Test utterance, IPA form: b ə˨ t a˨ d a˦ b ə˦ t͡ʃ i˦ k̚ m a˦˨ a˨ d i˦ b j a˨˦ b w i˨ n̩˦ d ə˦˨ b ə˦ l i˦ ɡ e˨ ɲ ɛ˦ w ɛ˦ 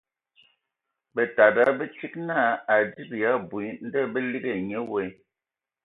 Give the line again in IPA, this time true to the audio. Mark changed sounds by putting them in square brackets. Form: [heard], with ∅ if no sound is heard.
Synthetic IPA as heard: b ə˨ t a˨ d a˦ b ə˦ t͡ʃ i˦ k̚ [n] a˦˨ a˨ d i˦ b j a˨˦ b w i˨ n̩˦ d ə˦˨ b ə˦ l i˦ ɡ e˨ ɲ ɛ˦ w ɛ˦